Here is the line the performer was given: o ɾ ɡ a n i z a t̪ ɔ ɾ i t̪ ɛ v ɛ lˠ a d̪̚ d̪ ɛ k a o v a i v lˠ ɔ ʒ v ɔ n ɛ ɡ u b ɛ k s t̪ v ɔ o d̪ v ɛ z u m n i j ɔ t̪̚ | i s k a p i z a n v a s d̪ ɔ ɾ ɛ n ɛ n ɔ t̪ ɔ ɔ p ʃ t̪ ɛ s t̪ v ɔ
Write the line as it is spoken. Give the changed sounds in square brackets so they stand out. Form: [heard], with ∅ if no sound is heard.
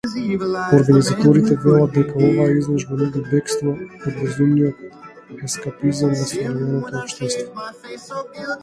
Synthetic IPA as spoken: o ɾ ɡ a n i z a t̪ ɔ ɾ i t̪ ɛ v ɛ lˠ a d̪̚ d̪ ɛ k a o v a i [z] lˠ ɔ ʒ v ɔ n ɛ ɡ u b ɛ k s t̪ v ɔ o d̪ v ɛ z u m n i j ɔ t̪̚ | [ɛ] s k a p i z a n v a s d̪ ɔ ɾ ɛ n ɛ n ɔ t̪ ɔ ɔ p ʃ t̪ ɛ s t̪ v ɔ